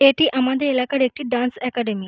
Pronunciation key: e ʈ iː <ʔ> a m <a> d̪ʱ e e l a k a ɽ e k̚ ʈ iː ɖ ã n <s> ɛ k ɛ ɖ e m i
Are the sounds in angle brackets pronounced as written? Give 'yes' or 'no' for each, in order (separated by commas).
yes, yes, yes